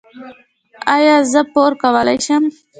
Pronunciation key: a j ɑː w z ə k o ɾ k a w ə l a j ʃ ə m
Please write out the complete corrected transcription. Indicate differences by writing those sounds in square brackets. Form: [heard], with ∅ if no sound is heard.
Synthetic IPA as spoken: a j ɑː [∅] z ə [p] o ɾ k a w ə l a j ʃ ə m